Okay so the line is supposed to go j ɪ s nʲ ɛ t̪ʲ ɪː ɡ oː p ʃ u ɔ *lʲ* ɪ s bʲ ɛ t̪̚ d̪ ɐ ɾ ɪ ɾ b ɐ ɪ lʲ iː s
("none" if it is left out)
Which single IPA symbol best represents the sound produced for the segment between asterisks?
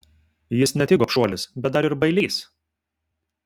lʲ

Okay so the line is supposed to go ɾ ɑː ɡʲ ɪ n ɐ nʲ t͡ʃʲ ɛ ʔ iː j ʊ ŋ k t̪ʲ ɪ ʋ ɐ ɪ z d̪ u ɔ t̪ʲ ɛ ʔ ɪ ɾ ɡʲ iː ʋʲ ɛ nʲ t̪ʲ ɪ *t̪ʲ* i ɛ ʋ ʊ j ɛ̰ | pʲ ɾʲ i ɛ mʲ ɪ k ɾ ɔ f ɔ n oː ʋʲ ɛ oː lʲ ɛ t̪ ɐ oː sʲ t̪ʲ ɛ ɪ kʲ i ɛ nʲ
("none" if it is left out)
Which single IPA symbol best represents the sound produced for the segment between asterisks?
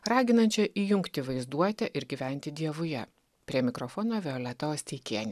d̪ʲ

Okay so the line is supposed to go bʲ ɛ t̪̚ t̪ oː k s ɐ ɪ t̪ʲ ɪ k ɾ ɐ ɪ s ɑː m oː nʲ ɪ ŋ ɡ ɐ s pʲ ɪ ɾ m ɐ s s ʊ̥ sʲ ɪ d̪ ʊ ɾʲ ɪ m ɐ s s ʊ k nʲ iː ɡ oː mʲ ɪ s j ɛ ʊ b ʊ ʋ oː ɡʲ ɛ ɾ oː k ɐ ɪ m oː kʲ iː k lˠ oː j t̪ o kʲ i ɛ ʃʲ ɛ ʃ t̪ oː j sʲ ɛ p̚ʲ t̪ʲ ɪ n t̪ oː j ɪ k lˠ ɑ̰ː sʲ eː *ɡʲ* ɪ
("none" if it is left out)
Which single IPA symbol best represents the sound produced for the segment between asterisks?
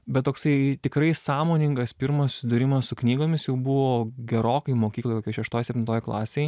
none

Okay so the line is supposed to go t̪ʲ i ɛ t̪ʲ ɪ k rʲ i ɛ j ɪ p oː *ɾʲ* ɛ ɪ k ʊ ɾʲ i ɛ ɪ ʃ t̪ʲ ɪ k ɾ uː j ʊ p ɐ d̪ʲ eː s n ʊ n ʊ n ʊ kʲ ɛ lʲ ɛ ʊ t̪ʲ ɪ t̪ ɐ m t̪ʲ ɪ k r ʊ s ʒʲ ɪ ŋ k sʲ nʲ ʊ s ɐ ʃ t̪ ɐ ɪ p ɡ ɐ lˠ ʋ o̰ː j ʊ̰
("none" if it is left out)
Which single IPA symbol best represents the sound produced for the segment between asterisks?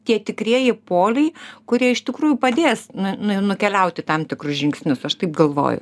lʲ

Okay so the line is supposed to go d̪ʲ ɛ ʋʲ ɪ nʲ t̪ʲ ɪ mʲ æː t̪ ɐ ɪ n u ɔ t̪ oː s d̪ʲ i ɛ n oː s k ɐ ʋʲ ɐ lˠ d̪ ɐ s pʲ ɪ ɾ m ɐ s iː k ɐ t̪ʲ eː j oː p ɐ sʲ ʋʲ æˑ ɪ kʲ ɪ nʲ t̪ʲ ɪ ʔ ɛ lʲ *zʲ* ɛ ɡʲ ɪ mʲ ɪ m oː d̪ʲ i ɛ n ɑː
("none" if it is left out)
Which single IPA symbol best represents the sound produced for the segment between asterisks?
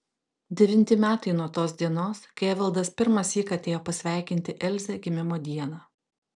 zʲ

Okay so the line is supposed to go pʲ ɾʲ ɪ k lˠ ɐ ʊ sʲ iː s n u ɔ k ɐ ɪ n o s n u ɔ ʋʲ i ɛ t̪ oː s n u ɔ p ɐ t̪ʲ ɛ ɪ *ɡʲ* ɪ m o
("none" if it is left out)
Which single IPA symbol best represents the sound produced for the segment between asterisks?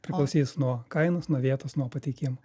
kʲ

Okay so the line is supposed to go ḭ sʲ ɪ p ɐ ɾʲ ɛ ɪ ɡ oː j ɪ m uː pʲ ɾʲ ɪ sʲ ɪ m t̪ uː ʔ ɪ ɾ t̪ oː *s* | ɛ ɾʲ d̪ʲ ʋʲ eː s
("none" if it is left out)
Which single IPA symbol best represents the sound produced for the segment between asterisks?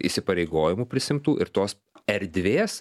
s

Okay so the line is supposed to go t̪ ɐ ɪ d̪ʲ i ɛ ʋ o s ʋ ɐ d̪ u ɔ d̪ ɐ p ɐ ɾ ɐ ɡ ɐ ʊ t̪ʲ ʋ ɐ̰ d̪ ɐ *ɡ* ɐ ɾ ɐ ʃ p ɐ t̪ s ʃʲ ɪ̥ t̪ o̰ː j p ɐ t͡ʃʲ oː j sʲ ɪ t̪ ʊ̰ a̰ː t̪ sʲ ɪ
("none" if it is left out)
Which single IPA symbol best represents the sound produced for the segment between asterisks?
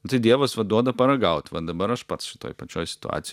b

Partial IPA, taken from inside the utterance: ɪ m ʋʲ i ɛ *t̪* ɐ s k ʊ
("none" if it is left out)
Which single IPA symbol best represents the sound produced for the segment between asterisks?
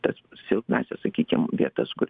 t̪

